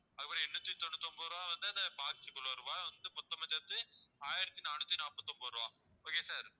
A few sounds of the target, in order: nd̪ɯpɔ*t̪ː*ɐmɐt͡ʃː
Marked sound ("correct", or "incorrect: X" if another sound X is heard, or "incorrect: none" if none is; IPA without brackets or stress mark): correct